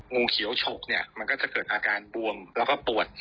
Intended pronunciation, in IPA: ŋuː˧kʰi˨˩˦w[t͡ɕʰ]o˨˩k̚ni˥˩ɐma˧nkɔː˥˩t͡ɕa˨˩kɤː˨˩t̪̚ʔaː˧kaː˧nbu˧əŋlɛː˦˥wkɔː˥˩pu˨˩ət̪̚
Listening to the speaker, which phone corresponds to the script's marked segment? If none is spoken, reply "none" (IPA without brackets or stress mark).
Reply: t͡ɕʰ